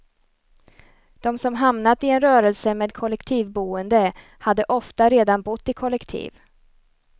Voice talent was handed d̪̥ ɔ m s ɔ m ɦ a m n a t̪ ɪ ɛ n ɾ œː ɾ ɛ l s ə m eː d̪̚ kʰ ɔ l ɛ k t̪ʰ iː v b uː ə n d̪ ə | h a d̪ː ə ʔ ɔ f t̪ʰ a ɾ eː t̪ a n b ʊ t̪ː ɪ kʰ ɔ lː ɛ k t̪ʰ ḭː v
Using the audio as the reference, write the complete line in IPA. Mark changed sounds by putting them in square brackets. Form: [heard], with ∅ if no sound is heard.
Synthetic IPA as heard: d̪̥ ɔ m s ɔ m ɦ a m n a t̪ ɪ ɛ n ɾ œː ɾ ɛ l s ə m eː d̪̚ kʰ ɔ l ɛ k t̪ʰ iː v b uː ə n d̪ ə | h a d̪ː ə ʔ ɔ f [t̪] a ɾ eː [d̪] a n b ʊ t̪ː ɪ kʰ ɔ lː ɛ k t̪ʰ ḭː v